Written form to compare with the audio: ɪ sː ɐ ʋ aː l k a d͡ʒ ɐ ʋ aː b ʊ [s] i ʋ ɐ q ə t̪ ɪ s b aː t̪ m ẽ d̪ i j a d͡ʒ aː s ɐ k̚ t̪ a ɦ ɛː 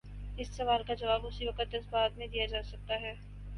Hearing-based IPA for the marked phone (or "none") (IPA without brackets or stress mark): s